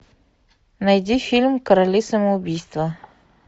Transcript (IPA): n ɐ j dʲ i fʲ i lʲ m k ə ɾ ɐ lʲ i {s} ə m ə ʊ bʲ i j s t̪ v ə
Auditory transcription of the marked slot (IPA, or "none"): s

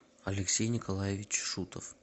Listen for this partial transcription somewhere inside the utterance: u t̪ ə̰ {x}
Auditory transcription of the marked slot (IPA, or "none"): f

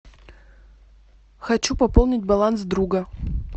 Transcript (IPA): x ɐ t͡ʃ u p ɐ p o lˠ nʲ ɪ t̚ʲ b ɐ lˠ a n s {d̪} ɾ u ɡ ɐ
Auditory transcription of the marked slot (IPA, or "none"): d̪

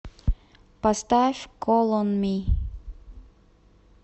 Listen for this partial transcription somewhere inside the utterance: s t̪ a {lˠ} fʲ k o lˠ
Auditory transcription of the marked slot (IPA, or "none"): none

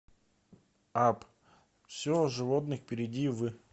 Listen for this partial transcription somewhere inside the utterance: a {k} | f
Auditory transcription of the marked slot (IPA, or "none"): p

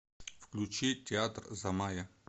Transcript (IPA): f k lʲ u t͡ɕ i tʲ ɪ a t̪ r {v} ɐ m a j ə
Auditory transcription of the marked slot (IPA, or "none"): z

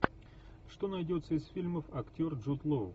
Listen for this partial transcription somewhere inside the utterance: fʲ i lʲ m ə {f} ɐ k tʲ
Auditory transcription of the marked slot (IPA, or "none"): f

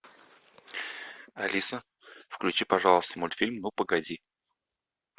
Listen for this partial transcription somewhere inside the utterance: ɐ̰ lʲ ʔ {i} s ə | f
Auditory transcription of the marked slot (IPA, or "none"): i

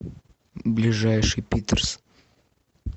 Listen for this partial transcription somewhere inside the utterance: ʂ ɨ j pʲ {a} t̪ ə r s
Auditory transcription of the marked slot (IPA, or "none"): i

